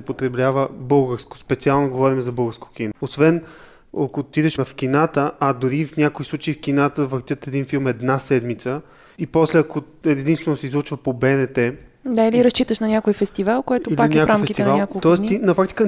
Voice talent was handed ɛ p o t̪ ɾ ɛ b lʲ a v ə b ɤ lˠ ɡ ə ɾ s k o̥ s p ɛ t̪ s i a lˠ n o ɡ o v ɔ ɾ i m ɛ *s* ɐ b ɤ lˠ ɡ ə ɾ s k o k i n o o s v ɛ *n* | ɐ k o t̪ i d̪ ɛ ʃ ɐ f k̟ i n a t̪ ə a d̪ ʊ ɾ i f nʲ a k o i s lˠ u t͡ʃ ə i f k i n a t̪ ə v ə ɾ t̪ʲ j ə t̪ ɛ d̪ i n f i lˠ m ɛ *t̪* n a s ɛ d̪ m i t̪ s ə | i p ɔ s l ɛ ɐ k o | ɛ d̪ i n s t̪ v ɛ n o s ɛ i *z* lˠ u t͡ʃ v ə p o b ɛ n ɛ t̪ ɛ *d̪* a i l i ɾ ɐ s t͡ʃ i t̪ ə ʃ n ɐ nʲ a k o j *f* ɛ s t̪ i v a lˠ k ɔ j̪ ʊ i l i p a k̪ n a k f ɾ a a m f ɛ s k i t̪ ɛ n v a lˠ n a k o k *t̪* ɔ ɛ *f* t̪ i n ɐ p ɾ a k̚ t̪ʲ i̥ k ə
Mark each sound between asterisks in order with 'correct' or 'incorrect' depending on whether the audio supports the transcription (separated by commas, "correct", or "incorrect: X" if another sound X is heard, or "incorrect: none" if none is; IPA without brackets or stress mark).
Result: incorrect: z, correct, incorrect: d̪, correct, correct, correct, correct, incorrect: s